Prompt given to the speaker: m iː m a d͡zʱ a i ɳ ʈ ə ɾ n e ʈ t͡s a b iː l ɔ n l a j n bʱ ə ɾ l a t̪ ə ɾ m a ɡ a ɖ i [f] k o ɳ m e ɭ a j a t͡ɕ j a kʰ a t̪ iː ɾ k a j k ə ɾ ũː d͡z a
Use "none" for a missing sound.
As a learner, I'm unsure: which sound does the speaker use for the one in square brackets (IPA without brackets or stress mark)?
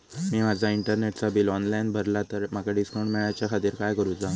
s